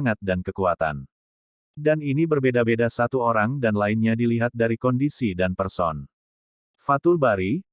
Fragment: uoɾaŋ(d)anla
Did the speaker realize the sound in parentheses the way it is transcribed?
yes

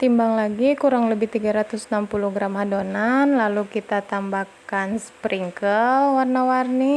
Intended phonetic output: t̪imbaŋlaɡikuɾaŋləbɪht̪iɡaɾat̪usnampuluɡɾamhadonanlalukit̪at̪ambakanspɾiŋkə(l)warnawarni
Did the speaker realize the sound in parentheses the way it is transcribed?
yes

